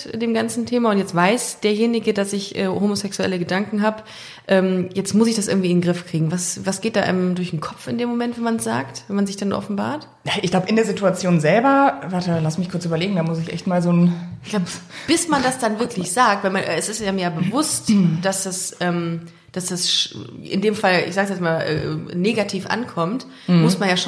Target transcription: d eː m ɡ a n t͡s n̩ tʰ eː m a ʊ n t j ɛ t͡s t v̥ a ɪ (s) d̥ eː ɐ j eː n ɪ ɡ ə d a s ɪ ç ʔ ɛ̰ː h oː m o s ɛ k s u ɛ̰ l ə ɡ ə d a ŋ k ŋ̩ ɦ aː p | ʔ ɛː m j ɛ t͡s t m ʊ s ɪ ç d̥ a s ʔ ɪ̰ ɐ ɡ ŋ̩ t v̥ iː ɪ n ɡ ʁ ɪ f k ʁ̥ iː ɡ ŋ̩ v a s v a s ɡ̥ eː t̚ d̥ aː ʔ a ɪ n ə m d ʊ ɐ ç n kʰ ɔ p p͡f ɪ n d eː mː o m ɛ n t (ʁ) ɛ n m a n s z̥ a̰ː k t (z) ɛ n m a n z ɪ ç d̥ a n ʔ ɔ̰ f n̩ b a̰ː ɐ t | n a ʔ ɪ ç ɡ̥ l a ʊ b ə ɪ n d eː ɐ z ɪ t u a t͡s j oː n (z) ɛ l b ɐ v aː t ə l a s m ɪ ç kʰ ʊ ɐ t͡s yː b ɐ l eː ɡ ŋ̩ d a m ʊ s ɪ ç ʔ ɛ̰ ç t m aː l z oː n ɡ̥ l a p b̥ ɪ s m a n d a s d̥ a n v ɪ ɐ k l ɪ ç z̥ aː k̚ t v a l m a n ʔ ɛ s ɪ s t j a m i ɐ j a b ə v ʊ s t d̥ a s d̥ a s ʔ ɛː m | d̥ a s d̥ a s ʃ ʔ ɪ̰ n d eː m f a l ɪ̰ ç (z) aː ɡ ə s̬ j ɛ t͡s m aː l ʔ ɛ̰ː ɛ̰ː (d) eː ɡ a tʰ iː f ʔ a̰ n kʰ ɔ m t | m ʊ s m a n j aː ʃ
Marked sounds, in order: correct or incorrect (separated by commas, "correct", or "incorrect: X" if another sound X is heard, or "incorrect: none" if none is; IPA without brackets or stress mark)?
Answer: correct, incorrect: v, incorrect: v, correct, correct, incorrect: n